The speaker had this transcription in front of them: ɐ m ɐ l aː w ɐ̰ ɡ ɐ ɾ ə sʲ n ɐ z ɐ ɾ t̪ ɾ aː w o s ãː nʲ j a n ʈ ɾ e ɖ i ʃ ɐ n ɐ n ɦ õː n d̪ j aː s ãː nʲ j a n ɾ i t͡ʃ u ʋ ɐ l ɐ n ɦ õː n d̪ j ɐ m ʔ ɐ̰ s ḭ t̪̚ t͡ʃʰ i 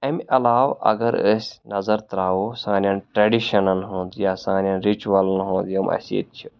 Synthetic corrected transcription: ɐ m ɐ l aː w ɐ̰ ɡ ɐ ɾ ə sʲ n ɐ z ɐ ɾ t̪ ɾ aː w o s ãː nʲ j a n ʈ ɾ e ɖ i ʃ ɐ n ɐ n ɦ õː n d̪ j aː s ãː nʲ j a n ɾ i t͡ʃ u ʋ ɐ l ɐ n ɦ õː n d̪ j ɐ m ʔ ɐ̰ s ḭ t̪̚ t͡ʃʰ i